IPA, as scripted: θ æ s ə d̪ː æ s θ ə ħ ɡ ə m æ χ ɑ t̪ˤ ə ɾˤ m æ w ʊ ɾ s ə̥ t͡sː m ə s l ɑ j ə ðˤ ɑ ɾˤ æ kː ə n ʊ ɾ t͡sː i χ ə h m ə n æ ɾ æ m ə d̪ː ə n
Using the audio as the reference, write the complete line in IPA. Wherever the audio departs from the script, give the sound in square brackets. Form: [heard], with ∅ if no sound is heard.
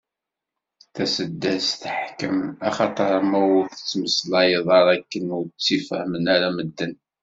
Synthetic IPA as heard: θ æ s ə d̪ː æ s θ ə ħ [k] ə m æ χ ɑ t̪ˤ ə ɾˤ m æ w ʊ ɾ [θ] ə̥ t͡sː m ə s l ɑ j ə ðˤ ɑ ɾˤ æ kː ə n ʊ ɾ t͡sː i [f] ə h m ə n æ ɾ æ m ə d̪ː ə n